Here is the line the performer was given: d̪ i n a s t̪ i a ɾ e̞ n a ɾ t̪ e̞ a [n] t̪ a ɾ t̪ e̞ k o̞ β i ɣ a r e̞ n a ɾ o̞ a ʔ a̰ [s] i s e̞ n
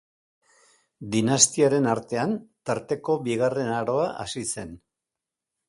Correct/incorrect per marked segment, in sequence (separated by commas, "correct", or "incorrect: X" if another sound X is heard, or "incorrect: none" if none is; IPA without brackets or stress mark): correct, correct